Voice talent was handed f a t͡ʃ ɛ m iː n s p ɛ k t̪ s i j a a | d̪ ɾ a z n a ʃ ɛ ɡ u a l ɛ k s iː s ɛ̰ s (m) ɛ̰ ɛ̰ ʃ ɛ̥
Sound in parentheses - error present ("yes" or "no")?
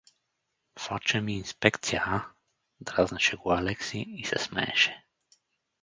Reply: no